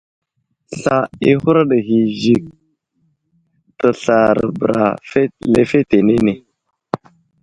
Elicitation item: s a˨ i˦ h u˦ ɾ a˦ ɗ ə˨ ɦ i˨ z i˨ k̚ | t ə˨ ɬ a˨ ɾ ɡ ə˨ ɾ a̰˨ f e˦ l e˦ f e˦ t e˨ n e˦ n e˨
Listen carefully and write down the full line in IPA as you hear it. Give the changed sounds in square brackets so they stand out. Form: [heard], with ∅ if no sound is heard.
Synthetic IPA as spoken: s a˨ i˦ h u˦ ɾ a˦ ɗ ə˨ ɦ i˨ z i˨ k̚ | t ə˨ ɬ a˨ ɾ [b] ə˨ ɾ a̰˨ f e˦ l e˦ f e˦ t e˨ n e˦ n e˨